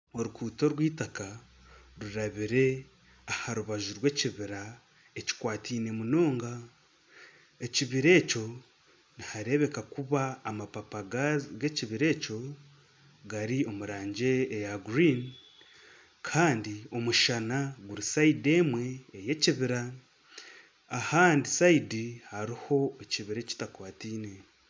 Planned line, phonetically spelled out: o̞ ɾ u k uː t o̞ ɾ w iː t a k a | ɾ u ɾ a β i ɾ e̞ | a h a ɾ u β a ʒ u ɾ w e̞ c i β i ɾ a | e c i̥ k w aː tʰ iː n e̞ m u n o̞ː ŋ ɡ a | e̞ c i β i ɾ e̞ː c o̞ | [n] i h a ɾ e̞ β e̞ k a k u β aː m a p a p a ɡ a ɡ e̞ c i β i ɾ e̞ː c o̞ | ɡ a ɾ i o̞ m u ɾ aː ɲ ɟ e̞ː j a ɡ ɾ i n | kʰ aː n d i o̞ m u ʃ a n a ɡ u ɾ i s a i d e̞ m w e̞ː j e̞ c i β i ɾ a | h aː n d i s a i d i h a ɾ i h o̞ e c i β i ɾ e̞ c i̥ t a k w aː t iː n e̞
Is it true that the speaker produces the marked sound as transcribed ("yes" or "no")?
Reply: yes